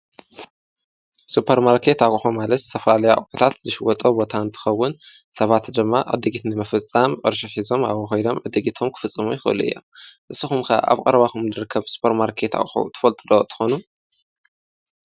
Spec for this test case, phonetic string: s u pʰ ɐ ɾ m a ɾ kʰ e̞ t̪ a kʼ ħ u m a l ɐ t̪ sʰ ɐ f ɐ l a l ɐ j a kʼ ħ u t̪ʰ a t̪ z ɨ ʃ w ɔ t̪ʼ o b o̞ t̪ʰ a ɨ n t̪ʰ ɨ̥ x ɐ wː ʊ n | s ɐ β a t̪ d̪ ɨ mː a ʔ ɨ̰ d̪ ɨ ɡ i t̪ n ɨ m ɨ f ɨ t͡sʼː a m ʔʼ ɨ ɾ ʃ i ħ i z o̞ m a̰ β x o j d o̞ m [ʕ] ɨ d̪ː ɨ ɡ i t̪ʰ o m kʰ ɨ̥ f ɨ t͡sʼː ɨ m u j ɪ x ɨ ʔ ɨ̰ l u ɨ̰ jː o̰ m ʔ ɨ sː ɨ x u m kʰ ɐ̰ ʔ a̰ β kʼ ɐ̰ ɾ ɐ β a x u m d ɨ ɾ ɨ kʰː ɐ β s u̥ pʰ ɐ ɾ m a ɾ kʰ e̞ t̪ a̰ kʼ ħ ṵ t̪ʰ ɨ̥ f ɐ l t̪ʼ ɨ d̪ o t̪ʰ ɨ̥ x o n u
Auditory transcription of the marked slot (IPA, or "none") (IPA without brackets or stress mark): ʕ